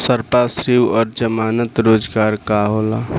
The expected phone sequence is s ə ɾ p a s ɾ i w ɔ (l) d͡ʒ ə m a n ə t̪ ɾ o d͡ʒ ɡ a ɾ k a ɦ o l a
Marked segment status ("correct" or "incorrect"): incorrect